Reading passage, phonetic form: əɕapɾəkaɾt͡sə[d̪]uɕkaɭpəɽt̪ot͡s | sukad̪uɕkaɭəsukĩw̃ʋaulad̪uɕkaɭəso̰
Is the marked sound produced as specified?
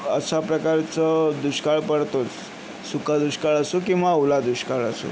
yes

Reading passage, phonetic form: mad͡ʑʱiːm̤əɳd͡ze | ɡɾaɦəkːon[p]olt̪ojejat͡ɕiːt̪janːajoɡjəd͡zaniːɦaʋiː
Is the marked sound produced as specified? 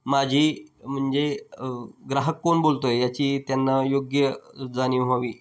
no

